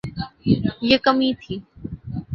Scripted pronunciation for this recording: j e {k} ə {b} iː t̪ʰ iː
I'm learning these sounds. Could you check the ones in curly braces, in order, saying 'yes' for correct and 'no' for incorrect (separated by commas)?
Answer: yes, no